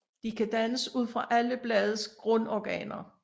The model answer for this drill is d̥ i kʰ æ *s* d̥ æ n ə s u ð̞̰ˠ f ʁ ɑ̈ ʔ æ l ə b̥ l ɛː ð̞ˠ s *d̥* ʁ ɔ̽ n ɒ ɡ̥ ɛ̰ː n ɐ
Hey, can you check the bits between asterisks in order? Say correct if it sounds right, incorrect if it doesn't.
incorrect: none, incorrect: ɡ̥

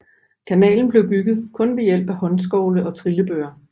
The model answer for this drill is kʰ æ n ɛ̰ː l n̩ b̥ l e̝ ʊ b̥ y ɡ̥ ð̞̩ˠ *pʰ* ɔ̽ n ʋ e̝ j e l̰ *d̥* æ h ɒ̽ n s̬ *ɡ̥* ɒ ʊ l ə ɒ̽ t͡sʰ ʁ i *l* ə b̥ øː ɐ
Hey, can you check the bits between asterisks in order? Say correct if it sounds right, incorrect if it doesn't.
incorrect: kʰ, incorrect: b̥, correct, correct

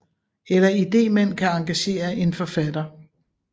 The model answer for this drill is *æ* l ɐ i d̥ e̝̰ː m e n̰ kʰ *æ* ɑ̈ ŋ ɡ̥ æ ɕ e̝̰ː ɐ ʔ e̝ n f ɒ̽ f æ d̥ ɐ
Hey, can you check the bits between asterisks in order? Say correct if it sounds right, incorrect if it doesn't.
incorrect: e, correct

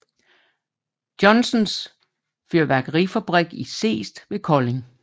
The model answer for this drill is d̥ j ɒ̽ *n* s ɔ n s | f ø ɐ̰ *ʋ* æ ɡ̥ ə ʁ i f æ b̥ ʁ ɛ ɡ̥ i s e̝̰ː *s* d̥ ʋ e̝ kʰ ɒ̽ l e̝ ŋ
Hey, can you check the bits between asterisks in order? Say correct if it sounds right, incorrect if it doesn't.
correct, correct, correct

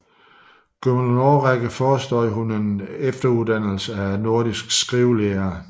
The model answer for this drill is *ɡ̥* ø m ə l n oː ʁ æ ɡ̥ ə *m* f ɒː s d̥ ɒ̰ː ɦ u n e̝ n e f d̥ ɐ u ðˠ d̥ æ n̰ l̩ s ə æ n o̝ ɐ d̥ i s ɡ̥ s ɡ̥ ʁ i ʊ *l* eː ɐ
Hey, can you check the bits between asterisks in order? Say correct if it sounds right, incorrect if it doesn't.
correct, incorrect: none, correct

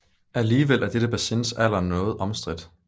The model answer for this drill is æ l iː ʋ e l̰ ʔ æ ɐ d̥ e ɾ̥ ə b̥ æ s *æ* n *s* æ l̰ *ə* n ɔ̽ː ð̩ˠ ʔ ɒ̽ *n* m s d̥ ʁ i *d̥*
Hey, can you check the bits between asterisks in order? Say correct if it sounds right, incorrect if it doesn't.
incorrect: e, correct, incorrect: ɐ, incorrect: none, correct

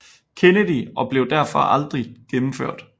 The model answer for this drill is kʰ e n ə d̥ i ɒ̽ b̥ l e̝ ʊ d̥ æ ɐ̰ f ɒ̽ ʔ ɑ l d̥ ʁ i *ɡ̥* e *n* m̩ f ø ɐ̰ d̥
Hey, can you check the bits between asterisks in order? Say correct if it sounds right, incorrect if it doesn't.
correct, incorrect: m

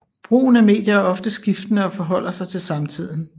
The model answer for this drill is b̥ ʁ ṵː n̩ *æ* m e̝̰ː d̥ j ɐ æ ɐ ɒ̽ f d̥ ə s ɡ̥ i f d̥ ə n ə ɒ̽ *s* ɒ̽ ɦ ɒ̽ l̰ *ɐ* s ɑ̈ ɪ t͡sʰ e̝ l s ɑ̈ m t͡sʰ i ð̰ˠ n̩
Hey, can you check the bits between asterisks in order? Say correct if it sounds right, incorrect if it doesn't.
correct, incorrect: f, correct

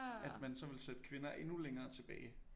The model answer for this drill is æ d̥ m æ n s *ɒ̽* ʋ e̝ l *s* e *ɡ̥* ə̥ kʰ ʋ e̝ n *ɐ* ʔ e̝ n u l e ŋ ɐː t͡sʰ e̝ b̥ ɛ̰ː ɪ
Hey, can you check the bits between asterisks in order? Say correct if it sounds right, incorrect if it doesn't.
correct, correct, incorrect: d̥, correct

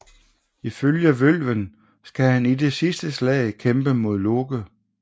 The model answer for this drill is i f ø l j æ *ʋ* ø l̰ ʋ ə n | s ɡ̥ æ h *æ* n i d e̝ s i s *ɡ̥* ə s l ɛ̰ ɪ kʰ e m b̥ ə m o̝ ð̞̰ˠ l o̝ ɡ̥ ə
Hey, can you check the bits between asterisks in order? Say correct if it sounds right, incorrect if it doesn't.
correct, correct, incorrect: d̥

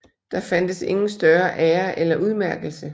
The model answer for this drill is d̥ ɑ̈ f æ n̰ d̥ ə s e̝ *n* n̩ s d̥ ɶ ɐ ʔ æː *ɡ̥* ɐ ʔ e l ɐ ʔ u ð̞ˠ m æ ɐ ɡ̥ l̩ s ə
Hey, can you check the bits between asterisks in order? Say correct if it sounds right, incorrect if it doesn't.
incorrect: ŋ, incorrect: none

